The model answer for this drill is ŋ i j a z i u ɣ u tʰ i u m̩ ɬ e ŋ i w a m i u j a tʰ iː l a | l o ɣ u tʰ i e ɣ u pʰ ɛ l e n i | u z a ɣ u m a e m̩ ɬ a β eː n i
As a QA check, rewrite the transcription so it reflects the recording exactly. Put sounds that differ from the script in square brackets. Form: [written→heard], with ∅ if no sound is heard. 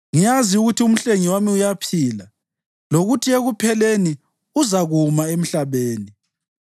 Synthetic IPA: ŋ i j a z i u ɣ u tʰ i u m̩ ɬ e ŋ i w a m i u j a [tʰ→pʰ] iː l a | l o ɣ u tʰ i e ɣ u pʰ ɛ l e n i | u z a ɣ u m a e m̩ ɬ a β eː n i